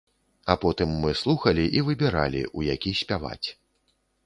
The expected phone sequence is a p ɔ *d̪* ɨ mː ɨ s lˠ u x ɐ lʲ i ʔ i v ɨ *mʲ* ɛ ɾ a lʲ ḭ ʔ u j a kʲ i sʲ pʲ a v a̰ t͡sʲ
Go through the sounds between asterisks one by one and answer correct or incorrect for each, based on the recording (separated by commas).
incorrect, incorrect